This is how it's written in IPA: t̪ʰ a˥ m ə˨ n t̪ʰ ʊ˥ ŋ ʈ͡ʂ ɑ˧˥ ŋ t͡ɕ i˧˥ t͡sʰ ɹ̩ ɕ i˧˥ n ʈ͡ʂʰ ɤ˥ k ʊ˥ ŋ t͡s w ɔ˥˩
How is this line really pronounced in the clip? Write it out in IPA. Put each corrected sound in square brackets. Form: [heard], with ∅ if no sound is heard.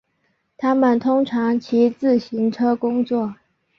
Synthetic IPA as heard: t̪ʰ a˥ m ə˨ n t̪ʰ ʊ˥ ŋ [ʈ͡ʂʰ] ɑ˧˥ ŋ [t͡ɕʰ] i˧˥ [t͡s] ɹ̩ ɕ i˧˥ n ʈ͡ʂʰ ɤ˥ k ʊ˥ ŋ t͡s w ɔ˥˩

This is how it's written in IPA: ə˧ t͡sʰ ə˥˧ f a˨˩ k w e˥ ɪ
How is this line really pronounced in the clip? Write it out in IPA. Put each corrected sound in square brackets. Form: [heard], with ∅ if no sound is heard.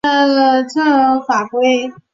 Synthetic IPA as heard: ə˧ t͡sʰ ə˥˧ f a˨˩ k w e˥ ɪ

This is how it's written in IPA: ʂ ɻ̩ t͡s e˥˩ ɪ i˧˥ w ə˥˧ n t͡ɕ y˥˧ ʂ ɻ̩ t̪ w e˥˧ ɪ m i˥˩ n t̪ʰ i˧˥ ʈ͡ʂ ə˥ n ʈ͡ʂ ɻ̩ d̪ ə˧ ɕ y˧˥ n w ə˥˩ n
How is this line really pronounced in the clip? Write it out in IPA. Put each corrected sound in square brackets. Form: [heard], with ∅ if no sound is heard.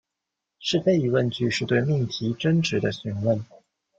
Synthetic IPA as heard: ʂ ɻ̩ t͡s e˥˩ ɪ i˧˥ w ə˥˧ n t͡ɕ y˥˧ ʂ ɻ̩ t̪ w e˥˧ ɪ m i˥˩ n t̪ʰ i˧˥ ʈ͡ʂ ə˥ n ʈ͡ʂ ɻ̩ d̪ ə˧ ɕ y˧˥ n w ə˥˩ n

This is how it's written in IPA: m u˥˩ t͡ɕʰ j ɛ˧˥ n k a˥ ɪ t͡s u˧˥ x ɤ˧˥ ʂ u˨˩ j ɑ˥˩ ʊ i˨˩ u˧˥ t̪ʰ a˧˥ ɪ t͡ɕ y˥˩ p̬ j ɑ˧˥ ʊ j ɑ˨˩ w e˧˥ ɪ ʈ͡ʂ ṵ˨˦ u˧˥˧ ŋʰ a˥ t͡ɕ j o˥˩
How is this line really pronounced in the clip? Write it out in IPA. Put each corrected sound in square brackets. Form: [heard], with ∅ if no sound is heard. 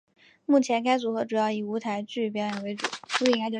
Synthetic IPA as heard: m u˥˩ t͡ɕʰ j ɛ˧˥ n k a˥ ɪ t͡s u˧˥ x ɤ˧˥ [ʈ͡ʂ] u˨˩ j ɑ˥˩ ʊ i˨˩ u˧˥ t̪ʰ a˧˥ ɪ t͡ɕ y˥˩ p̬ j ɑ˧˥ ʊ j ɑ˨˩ w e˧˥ ɪ ʈ͡ʂ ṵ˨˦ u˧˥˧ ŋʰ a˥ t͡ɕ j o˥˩

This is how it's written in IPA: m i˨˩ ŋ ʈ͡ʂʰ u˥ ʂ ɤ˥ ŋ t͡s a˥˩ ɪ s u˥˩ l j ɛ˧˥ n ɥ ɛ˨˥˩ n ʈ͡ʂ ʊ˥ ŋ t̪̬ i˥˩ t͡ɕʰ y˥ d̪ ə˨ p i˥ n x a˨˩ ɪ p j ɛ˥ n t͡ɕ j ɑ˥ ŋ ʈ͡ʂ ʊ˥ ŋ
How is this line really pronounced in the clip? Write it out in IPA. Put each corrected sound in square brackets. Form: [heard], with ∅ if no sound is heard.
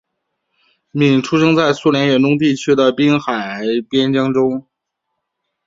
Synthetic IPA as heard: m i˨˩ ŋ ʈ͡ʂʰ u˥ ʂ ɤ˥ ŋ t͡s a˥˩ ɪ s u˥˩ l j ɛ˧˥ n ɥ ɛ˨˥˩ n ʈ͡ʂ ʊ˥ ŋ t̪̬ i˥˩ t͡ɕʰ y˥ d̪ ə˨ p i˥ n x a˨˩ ɪ p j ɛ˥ n t͡ɕ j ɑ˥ ŋ ʈ͡ʂ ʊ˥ ŋ

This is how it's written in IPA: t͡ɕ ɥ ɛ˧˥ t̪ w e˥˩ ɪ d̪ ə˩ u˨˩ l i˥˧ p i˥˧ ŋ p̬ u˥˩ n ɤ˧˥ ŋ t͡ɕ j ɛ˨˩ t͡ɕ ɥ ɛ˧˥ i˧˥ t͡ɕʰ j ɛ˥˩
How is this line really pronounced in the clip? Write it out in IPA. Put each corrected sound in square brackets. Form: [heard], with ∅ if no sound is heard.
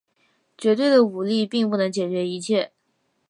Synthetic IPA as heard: t͡ɕ ɥ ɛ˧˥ t̪ w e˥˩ ɪ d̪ ə˩ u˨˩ l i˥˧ p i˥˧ ŋ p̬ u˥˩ n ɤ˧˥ ŋ t͡ɕ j ɛ˨˩ t͡ɕ ɥ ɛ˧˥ i˧˥ t͡ɕʰ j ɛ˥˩

